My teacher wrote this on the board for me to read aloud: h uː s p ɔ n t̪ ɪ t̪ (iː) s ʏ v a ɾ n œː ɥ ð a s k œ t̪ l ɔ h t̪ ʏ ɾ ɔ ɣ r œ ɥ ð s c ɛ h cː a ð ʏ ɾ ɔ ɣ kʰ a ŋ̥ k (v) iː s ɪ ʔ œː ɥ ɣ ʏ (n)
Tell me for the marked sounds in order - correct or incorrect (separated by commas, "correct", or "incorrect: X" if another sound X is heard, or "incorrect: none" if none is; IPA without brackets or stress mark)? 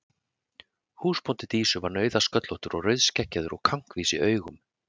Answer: correct, correct, incorrect: m